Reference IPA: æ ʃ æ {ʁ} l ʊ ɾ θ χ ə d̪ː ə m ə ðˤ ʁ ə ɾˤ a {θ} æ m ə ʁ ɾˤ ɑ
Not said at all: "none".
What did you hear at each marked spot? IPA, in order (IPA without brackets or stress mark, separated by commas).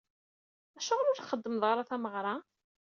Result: ʁ, θ